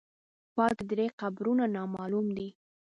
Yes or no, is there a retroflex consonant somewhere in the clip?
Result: no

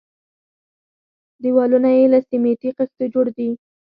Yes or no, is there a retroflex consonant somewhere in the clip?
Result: yes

